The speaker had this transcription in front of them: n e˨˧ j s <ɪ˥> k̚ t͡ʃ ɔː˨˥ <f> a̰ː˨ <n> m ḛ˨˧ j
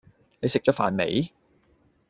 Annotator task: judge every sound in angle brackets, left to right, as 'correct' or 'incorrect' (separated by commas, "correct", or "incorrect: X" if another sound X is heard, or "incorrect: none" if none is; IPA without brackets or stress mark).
incorrect: ɪ˨, correct, correct